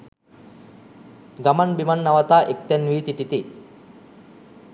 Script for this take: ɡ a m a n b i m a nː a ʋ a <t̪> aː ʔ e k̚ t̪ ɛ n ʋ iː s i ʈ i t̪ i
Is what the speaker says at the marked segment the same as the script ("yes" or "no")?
yes